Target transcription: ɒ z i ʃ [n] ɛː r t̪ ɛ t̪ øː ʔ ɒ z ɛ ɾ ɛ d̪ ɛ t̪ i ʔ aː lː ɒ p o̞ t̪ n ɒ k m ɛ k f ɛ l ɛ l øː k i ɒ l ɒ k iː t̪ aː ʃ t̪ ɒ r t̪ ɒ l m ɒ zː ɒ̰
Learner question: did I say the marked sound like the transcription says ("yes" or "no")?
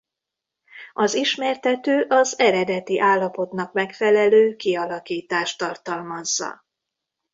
no